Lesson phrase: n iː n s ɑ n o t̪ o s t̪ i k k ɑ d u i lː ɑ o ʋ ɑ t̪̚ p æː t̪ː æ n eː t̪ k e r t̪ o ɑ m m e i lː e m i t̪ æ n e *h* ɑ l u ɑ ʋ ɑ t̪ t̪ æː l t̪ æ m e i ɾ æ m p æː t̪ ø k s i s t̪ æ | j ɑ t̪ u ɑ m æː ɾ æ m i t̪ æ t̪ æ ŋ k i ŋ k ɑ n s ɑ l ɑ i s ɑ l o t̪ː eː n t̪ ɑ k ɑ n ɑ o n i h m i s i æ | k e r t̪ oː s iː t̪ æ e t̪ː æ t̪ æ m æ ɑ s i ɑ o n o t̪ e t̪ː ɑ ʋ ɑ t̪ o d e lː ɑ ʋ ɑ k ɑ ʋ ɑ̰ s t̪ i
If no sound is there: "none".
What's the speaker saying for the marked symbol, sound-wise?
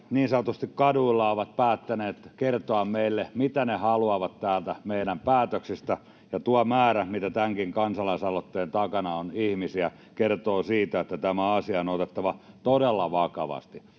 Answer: h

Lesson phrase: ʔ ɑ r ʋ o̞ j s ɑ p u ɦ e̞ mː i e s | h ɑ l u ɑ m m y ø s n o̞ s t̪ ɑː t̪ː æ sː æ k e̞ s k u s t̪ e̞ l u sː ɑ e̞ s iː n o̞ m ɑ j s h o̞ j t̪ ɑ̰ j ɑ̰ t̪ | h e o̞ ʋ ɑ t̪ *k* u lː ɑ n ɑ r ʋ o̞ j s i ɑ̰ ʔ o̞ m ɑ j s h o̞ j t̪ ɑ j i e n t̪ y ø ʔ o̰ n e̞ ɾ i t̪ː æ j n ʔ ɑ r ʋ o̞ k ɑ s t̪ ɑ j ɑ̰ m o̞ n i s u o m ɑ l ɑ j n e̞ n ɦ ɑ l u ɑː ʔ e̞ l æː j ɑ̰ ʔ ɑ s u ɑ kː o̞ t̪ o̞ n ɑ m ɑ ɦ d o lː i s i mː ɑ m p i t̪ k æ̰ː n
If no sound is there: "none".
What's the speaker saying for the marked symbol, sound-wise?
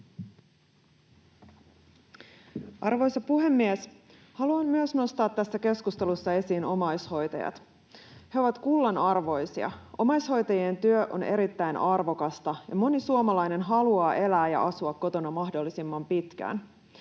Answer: k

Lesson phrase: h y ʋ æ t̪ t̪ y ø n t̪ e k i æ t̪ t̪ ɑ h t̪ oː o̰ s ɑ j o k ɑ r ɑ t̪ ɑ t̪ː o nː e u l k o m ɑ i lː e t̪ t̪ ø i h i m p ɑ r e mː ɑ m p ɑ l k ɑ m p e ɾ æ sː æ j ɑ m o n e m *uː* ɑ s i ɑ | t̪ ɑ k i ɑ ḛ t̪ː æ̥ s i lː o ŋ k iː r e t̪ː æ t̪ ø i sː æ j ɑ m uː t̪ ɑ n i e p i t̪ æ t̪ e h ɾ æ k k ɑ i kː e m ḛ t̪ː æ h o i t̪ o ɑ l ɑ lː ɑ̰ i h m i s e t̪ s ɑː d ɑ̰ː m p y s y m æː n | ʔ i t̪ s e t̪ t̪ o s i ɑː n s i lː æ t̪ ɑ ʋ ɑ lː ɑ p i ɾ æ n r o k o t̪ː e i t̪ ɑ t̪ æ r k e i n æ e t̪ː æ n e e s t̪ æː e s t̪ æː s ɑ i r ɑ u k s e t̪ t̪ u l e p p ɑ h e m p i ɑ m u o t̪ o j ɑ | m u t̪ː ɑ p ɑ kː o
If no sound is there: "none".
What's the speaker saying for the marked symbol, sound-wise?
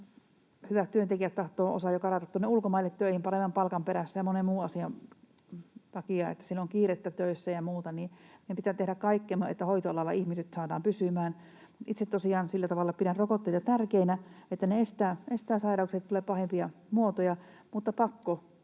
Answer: uː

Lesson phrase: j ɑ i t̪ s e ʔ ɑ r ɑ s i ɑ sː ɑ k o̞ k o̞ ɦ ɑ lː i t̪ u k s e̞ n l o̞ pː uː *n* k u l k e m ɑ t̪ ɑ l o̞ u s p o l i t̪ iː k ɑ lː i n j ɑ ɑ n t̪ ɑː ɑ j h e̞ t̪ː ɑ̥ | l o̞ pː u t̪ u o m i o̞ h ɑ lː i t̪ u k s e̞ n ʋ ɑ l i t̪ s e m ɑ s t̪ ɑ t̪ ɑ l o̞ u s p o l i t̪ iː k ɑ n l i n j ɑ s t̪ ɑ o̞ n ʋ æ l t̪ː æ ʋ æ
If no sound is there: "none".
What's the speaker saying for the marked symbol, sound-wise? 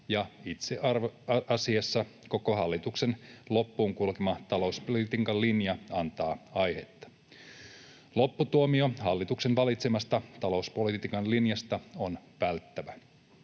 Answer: ŋ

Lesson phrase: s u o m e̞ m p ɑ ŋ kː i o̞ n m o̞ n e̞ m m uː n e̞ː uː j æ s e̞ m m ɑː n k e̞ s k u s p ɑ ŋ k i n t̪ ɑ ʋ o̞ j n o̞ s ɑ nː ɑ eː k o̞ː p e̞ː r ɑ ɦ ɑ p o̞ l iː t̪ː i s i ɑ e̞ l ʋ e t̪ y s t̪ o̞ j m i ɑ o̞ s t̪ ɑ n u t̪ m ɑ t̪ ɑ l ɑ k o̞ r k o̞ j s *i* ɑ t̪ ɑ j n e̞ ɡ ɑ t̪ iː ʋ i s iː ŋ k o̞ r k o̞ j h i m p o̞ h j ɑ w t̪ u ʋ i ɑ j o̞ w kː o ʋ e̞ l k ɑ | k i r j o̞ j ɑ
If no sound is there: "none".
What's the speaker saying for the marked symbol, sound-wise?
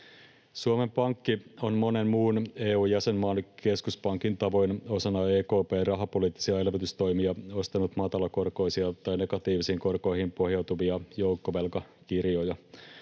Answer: i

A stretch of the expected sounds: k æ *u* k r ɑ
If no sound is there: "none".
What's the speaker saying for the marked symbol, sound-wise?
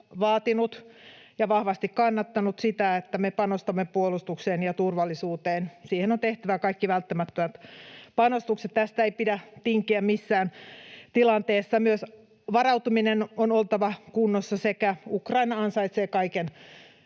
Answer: u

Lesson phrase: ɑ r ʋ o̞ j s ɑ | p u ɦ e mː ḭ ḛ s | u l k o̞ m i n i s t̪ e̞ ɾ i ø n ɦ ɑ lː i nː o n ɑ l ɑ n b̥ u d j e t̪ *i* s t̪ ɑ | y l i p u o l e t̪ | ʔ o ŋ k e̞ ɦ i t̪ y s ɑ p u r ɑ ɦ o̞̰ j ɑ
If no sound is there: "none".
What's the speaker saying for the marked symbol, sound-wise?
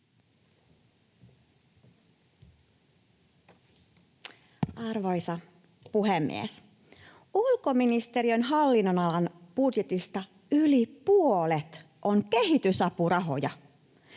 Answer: i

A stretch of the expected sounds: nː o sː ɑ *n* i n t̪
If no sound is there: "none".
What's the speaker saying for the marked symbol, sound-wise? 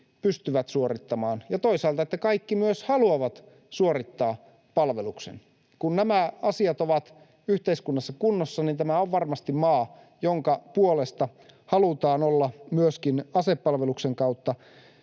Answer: n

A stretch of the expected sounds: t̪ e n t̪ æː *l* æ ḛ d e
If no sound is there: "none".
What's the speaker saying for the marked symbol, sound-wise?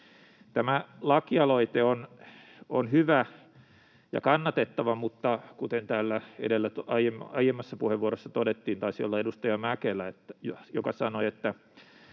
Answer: lː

